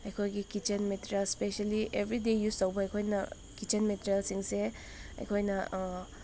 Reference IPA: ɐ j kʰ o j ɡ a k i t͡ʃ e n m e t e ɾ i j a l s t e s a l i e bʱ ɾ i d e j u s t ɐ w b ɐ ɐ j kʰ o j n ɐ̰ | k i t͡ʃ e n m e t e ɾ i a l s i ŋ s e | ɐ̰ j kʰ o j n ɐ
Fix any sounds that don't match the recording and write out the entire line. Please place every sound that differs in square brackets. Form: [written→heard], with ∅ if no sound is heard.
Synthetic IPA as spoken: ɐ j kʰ o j ɡ [a→i] k i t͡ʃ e n m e t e ɾ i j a l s [t→p] e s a l i e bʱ ɾ i d e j u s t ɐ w b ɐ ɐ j kʰ o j n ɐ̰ | k i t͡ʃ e n m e t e ɾ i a l s i ŋ s e | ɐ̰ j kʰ o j n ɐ